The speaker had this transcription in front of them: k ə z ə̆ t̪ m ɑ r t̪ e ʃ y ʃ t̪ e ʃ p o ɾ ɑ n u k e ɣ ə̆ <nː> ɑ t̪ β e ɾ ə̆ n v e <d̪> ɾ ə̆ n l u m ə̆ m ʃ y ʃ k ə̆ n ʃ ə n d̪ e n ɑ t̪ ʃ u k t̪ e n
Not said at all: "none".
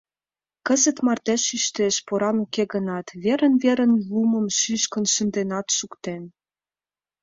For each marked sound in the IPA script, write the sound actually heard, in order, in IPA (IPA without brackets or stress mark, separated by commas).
n, none